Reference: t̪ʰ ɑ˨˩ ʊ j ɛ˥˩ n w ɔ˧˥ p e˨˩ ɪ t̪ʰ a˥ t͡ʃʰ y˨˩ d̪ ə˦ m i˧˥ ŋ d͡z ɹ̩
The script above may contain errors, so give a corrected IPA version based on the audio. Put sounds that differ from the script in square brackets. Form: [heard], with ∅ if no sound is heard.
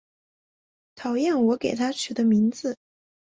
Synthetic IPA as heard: t̪ʰ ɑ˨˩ ʊ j ɛ˥˩ n w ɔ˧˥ [k] e˨˩ ɪ t̪ʰ a˥ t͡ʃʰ y˨˩ d̪ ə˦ m i˧˥ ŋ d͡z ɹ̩